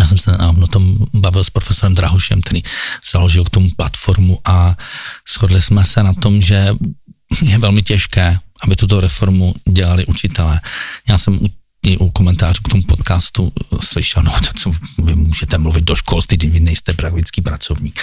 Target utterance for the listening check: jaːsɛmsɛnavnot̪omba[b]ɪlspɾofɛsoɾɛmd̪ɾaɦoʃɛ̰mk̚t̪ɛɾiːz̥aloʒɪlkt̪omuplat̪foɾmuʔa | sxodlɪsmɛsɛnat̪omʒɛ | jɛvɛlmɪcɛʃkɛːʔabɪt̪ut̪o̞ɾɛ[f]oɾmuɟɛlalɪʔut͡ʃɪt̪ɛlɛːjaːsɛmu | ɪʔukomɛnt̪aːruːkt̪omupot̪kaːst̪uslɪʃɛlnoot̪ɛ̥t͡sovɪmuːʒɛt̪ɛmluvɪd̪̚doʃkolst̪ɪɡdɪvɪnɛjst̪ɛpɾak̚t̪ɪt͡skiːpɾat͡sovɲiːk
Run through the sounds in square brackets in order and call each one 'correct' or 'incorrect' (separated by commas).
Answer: incorrect, correct